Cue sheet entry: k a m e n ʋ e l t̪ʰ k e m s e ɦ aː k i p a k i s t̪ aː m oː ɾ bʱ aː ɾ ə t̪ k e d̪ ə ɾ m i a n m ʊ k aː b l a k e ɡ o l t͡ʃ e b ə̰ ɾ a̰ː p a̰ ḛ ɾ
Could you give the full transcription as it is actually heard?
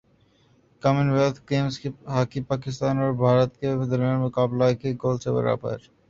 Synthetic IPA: k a m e n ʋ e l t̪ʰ k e m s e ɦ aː k i p a k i s t̪ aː n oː ɾ bʱ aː ɾ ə t̪ k e d̪ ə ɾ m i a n m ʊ k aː b l a k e ɡ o l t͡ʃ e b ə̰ ɾ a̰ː p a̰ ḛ ɾ